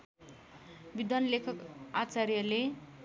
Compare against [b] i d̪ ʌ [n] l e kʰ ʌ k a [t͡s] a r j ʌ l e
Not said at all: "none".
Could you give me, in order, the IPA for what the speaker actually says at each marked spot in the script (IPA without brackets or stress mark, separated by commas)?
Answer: b, n, t͡s